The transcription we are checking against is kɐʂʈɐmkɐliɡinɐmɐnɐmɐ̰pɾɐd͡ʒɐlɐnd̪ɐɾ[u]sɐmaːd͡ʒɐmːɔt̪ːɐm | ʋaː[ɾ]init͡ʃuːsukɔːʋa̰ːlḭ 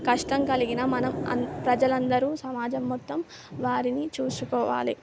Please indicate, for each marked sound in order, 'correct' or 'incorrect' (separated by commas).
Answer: incorrect, correct